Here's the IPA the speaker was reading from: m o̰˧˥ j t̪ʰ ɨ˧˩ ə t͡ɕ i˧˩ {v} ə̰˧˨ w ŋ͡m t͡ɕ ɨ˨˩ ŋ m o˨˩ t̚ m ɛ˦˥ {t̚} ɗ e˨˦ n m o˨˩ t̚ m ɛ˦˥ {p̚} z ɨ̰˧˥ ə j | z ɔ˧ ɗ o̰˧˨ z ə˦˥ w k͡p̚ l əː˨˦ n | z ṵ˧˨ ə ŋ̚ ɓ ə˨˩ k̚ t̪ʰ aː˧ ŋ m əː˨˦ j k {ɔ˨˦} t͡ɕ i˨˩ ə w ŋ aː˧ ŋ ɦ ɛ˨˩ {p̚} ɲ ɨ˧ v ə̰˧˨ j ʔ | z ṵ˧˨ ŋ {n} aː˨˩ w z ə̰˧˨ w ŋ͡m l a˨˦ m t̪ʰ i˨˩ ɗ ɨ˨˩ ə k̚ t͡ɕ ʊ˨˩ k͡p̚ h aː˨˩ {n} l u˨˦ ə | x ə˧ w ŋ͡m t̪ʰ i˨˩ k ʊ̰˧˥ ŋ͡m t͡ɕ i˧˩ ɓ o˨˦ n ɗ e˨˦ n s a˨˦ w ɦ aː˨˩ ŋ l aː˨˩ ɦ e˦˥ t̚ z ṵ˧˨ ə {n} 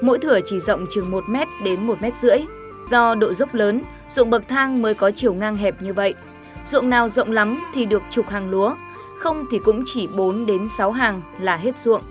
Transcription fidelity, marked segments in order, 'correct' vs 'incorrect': incorrect: z, correct, incorrect: t̚, correct, correct, correct, incorrect: ŋ, incorrect: ŋ

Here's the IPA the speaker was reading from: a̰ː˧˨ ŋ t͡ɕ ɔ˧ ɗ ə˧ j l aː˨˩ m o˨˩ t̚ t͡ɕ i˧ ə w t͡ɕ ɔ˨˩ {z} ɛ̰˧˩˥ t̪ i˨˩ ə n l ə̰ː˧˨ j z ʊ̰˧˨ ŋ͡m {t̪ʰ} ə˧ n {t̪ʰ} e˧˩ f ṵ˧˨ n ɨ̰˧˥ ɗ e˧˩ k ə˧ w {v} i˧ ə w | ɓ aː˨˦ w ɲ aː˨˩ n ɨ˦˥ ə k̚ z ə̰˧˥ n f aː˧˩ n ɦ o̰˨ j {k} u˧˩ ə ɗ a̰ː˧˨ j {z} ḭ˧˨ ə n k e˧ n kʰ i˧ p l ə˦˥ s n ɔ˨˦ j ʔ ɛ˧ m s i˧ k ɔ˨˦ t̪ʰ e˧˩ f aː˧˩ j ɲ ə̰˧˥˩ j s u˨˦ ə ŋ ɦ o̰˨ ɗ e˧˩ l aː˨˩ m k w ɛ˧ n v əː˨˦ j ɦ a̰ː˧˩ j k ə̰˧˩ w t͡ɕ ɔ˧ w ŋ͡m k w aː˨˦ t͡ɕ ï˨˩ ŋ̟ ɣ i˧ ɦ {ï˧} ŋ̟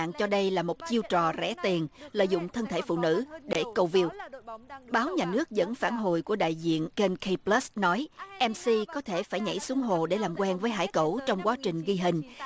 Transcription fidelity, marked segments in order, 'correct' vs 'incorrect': correct, correct, correct, correct, correct, correct, incorrect: ï˨˩

